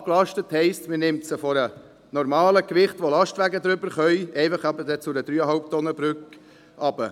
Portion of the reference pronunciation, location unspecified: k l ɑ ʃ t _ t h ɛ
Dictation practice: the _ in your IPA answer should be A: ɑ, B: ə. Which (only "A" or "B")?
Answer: B